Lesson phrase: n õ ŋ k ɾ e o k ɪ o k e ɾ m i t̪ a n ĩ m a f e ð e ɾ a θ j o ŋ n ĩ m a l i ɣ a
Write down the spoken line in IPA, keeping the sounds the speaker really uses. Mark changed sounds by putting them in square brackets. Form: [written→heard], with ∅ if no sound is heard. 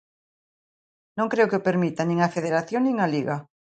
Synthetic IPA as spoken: n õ ŋ k ɾ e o k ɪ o [k→p] e ɾ m i t̪ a n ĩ [m→ŋ] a f e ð e ɾ a θ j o ŋ n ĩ [m→ŋ] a l i ɣ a